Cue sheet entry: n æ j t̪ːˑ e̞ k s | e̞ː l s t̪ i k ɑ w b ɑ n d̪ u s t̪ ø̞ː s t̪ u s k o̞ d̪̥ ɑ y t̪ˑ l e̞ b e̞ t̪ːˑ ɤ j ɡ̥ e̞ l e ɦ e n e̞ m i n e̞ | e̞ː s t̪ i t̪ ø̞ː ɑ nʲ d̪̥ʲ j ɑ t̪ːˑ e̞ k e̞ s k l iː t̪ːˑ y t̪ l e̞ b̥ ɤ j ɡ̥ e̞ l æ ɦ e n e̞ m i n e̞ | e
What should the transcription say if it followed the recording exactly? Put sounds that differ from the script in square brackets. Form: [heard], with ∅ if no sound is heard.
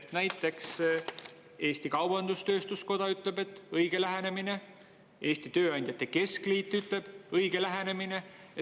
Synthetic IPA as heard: n æ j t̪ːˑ e̞ k s | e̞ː [∅] s t̪ i k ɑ w b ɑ n d̪ u s t̪ ø̞ː s t̪ u s k o̞ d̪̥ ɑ y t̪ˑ l e̞ b e̞ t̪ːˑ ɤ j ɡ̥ e̞ l [æ] ɦ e n e̞ m i n e̞ | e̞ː s t̪ i t̪ ø̞ː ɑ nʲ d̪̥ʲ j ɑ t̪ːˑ e̞ k e̞ s k l iː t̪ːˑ y t̪ l e̞ b̥ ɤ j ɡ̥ e̞ l æ ɦ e n e̞ m i n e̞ | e